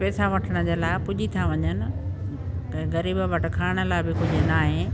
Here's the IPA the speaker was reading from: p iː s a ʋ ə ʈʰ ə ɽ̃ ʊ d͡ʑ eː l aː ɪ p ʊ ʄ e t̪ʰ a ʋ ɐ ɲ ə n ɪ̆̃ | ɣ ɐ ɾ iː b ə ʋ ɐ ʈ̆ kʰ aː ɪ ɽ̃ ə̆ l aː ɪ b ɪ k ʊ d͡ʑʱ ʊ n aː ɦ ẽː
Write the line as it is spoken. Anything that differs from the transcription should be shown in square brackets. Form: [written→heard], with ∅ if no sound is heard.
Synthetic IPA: p [iː→ɛː] s a ʋ [ə→ɐ] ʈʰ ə ɽ̃ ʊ d͡ʑ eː l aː ɪ p ʊ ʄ [e→i] t̪ʰ a ʋ ɐ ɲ ə n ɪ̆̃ | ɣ ɐ ɾ iː b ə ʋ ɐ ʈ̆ kʰ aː ɪ ɽ̃ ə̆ l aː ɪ b ɪ k ʊ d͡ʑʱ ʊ n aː ɦ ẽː